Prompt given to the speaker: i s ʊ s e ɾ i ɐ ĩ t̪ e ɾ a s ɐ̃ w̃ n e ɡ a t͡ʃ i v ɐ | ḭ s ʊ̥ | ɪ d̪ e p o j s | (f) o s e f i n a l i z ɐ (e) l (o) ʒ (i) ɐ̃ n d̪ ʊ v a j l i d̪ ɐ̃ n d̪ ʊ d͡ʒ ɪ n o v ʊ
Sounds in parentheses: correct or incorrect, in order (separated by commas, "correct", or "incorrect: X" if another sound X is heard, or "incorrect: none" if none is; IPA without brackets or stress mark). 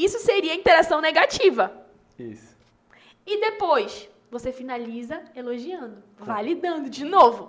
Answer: incorrect: v, correct, correct, correct